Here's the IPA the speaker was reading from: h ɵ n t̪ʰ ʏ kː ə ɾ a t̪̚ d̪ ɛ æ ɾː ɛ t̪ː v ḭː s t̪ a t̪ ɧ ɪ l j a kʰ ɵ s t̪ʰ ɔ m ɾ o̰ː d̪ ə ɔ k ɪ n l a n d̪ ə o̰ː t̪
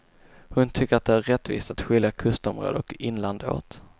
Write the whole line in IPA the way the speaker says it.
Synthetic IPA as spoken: h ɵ n t̪ʰ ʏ kː ə ɾ a t̪̚ d̪ ɛ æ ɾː ɛ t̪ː v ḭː s t̪ a t̪ ɧ ɪ l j a kʰ ɵ s t̪ ɔ m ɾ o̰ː d̪ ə ɔ k ɪ n l a n d̪ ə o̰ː t̪